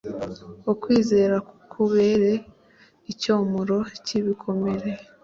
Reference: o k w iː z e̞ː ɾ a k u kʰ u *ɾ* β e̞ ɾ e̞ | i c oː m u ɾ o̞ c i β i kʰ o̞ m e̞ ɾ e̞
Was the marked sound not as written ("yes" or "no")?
yes